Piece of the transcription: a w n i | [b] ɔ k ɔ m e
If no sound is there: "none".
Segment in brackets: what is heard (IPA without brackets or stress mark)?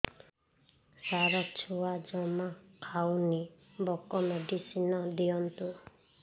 b